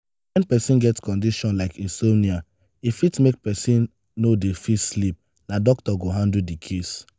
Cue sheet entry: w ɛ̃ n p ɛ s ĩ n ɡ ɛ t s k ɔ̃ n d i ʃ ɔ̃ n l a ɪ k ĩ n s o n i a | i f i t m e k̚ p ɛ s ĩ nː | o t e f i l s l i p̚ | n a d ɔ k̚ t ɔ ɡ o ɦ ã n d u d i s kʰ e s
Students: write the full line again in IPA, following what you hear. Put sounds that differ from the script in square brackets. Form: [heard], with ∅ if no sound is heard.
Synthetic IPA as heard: w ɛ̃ n p ɛ s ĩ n ɡ ɛ t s k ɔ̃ n d i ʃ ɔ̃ n l a ɪ k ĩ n s o n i a | i f i t m e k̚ p ɛ s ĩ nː | o [d] e f i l s l i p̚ | n a d ɔ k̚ t ɔ ɡ o ɦ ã n d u d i [∅] kʰ e s